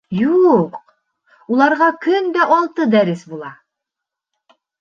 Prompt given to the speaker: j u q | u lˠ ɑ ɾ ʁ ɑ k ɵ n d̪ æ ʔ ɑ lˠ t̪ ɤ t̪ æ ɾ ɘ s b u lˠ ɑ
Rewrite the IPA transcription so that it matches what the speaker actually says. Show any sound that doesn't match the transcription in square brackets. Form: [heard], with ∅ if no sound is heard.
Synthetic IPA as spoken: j u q | u lˠ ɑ ɾ ʁ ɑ k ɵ n d̪ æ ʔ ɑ lˠ t̪ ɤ [d̪] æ ɾ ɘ s b u lˠ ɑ